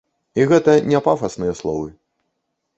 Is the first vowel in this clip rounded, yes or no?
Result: no